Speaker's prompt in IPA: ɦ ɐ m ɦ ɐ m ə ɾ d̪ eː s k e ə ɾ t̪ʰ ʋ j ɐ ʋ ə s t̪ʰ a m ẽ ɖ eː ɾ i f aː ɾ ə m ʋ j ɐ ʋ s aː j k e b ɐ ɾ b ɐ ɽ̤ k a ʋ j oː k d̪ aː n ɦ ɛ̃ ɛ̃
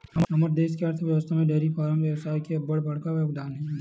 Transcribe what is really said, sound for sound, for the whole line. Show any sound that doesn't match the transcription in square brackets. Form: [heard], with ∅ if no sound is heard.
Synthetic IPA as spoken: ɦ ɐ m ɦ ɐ m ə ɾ d̪ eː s k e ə ɾ t̪ʰ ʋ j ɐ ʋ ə s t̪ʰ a m ẽ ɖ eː ɾ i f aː ɾ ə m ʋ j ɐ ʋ s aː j k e b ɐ [ɽ] b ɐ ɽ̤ k a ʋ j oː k d̪ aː n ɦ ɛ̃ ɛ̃